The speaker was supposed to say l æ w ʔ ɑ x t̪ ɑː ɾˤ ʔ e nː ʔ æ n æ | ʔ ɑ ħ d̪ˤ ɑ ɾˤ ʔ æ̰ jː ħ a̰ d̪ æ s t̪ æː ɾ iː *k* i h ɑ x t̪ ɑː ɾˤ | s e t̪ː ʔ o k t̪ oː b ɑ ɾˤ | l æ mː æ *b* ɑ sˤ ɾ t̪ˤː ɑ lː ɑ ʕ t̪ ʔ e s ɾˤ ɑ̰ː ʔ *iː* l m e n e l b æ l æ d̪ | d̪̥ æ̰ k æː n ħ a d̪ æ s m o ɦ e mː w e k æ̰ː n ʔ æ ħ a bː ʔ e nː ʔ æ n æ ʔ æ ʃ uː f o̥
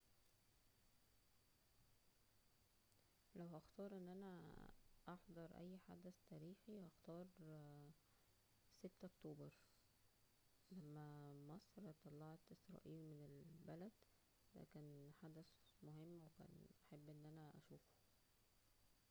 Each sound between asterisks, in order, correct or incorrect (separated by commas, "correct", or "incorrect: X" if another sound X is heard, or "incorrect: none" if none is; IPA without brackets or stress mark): incorrect: x, incorrect: m, correct